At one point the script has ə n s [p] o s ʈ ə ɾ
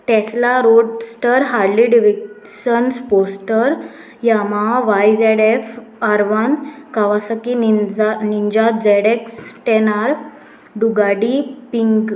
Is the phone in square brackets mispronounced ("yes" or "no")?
no